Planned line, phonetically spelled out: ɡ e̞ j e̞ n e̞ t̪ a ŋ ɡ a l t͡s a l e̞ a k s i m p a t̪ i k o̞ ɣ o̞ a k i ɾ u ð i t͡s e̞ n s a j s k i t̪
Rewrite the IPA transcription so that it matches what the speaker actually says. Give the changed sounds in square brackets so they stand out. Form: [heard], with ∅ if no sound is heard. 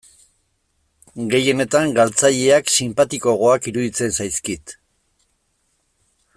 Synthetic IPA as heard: ɡ e̞ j e̞ n e̞ t̪ a ŋ ɡ a l t͡s a [ʎ] e̞ a k s i m p a t̪ i k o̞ ɣ o̞ a k i ɾ u ð i t͡s e̞ n s a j s k i t̪